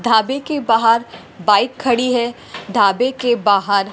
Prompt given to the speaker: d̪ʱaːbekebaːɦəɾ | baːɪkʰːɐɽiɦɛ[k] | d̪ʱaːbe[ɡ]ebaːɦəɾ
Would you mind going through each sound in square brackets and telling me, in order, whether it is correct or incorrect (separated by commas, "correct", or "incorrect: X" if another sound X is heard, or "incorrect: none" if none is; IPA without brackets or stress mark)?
incorrect: none, incorrect: k